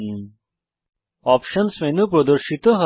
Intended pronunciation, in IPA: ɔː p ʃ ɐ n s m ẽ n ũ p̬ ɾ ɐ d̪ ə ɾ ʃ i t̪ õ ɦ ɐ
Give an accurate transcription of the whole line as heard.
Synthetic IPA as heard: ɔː p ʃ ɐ n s m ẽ n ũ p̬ ɾ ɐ d̪ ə ɾ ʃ i t̪ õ ɦ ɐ